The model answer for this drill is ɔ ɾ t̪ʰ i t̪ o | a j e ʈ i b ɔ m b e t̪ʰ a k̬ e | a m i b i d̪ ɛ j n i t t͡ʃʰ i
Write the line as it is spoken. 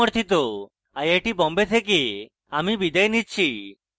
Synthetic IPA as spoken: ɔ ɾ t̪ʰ i t̪ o | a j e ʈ i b ɔ m b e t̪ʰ e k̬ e | a m i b i d̪ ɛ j n i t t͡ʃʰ i